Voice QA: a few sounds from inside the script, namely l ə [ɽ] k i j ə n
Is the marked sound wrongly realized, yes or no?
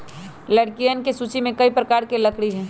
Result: no